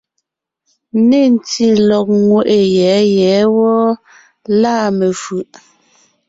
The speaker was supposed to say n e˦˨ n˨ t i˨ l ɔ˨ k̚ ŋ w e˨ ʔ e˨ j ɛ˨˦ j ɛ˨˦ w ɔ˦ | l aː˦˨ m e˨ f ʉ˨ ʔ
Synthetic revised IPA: n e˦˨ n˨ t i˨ l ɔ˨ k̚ ŋ w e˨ ʔ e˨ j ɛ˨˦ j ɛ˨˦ w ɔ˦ | l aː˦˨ m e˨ f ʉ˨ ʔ

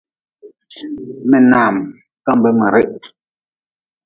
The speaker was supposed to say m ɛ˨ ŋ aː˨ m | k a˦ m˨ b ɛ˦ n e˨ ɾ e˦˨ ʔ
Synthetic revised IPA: m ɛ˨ n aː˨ m | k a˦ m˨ b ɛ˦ m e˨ ɾ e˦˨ ʔ

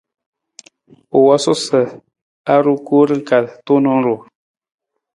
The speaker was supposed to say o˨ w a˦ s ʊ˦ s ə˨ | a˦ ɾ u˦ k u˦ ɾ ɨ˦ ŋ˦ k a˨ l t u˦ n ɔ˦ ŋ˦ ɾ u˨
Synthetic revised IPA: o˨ w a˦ s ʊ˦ s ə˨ | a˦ ɾ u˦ k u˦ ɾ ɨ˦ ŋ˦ k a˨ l t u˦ n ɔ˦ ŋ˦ ɾ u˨

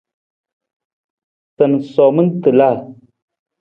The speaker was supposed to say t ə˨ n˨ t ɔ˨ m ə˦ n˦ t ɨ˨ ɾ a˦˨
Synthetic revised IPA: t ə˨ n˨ s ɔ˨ m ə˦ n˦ t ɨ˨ l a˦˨

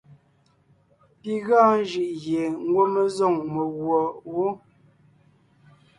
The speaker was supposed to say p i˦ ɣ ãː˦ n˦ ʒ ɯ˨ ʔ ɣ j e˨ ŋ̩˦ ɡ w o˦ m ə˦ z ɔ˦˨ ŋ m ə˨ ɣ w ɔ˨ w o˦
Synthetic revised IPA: p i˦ ɣ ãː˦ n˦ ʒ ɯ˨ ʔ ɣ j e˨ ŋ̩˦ ɡ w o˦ m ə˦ z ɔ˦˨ ŋ m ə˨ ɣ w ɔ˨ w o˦

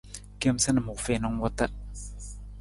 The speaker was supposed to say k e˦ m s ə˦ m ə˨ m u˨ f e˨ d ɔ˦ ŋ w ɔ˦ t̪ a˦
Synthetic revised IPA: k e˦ m s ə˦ n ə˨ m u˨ f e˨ n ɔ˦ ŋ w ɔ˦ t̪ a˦

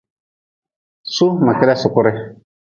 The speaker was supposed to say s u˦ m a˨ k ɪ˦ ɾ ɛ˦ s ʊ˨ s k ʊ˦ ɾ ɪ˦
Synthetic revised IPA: s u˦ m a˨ k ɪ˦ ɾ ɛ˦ s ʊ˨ k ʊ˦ ɾ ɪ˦

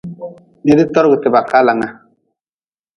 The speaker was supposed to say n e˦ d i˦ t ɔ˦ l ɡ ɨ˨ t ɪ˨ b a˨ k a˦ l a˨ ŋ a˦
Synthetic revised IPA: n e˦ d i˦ t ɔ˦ ɾ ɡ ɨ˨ t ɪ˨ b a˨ k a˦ l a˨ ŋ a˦

